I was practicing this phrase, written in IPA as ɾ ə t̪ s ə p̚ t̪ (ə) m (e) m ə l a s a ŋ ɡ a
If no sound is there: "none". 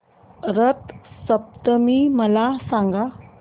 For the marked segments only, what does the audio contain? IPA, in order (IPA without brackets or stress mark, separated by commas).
ə, i